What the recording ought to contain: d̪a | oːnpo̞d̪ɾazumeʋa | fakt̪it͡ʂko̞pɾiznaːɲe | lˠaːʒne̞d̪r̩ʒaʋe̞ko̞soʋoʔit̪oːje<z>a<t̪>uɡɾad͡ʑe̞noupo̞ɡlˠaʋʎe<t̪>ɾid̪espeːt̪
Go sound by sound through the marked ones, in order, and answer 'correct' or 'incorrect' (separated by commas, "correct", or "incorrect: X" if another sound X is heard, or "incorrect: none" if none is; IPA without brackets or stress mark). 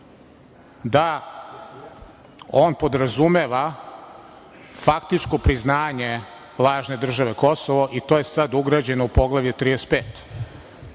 incorrect: s, incorrect: d̪, correct